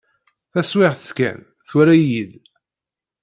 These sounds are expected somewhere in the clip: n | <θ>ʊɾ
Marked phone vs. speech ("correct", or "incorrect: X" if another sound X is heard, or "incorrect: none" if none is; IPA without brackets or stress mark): correct